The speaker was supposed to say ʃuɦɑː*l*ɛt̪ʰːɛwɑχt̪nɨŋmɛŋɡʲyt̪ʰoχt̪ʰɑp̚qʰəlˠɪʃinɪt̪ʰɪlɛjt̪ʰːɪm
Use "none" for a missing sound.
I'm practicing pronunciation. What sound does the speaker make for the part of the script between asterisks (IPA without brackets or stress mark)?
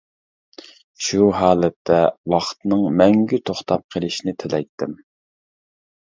l